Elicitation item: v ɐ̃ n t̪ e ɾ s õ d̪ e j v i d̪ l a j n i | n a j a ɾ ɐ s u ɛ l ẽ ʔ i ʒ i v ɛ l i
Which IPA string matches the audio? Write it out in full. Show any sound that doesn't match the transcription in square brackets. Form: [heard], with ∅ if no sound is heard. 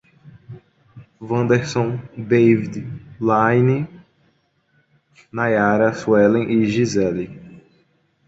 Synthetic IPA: v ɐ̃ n [d̪] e ɾ s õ d̪ e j v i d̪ l a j n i | n a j a ɾ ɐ s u ɛ l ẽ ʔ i ʒ i [z] ɛ l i